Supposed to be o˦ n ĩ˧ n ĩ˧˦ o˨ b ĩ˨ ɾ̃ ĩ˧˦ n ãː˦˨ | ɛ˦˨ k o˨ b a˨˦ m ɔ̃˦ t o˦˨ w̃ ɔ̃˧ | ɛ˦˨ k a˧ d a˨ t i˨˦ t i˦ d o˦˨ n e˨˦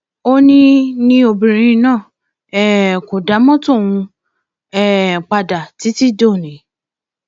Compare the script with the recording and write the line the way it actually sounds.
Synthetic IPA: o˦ n ĩ˧ n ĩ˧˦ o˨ b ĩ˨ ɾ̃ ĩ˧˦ n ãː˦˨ | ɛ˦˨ k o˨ d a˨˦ m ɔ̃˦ t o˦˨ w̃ ũ˧ | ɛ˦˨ k͡p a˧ d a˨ t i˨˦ t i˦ d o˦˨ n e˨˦